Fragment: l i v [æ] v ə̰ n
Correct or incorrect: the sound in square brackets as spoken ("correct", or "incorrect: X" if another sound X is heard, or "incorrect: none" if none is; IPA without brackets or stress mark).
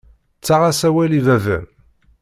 correct